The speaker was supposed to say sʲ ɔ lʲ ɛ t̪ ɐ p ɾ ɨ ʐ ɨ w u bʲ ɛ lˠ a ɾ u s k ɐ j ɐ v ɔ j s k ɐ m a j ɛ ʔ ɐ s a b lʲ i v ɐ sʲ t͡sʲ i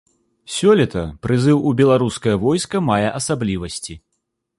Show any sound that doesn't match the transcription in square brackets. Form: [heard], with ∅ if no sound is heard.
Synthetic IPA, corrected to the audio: sʲ ɔ lʲ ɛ t̪ ɐ p ɾ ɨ [z] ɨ w u bʲ ɛ lˠ a ɾ u s k ɐ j ɐ v ɔ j s k ɐ m a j ɛ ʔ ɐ s a b lʲ i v ɐ sʲ t͡sʲ i